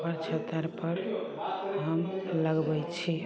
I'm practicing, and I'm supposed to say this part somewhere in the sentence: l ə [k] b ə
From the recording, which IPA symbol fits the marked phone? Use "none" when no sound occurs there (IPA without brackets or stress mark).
ɡ